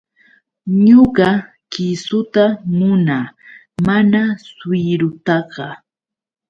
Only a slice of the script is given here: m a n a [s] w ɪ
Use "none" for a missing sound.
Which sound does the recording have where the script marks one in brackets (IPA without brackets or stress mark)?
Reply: s